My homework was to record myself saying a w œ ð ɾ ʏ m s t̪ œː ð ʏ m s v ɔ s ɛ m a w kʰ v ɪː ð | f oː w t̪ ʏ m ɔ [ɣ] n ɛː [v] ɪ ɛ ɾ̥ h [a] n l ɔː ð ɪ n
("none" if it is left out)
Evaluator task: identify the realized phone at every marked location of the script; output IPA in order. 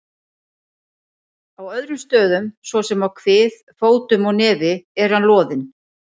ɣ, v, a

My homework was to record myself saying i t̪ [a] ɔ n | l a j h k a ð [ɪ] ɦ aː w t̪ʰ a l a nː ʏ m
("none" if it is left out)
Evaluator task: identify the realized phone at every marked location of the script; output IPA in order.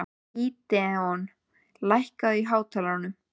ɛ, i

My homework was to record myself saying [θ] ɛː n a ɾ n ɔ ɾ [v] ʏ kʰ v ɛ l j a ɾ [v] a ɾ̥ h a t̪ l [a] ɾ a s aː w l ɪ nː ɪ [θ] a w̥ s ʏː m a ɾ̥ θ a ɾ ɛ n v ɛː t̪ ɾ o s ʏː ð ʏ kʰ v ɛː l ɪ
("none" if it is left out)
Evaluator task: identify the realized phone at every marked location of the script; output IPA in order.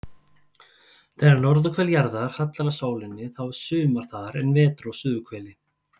θ, ð, ð, a, θ

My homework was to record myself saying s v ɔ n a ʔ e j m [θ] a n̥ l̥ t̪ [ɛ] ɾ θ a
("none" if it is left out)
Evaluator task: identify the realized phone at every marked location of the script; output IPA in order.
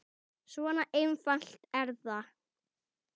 f, ɛ

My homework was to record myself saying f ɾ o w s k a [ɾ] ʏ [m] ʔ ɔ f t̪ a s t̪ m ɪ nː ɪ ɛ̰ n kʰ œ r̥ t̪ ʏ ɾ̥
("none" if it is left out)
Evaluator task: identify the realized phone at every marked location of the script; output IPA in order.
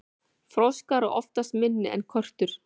ɾ, none

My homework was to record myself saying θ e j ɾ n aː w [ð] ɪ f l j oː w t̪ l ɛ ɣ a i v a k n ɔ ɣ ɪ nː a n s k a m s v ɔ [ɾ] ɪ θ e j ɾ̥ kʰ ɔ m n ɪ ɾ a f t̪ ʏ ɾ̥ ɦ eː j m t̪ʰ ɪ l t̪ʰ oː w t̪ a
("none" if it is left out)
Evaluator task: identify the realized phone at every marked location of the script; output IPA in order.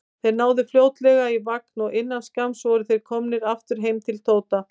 ð, ɾ

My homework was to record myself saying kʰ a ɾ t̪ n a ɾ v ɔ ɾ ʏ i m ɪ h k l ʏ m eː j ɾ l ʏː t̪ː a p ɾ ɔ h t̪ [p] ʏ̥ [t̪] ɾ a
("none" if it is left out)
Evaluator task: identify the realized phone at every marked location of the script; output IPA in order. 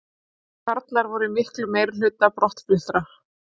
p, t̪

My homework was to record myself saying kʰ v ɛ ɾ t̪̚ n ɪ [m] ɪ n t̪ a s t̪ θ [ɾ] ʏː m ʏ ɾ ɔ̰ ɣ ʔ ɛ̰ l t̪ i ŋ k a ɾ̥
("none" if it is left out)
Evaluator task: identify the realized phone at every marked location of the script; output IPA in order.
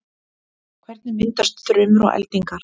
m, ɾ

